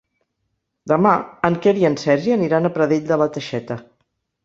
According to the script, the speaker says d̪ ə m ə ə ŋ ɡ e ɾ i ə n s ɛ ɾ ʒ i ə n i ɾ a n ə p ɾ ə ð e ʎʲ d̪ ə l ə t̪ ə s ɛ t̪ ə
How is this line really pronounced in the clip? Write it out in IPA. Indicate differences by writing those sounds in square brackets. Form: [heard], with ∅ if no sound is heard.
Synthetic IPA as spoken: d̪ ə m [a] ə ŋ [k] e ɾ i ə n s ɛ ɾ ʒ i ə n i ɾ a n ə p ɾ ə ð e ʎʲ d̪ ə l ə t̪ ə [ʃ] ɛ t̪ ə